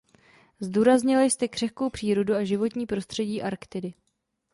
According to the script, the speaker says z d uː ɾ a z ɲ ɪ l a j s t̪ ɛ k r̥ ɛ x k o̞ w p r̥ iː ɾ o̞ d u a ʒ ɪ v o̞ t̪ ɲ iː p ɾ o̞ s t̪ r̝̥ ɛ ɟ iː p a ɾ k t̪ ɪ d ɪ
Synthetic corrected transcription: z d uː ɾ a z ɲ ɪ l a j s t̪ ɛ k r̥ ɛ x k o̞ w p r̥ iː ɾ o̞ d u a ʒ ɪ v o̞ t̪ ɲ iː p ɾ o̞ s t̪ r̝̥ ɛ ɟ iː ʔ a ɾ k t̪ ɪ d ɪ